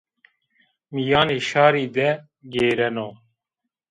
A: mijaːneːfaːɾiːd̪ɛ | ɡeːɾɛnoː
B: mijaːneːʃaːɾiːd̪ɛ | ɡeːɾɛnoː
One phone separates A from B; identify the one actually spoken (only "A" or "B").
B